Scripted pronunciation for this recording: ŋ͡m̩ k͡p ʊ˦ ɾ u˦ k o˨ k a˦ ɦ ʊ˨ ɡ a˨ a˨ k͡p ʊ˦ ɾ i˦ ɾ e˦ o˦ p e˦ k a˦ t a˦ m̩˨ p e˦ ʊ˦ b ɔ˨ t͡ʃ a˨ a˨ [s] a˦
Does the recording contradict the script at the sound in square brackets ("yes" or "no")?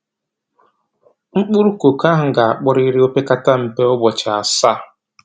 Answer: no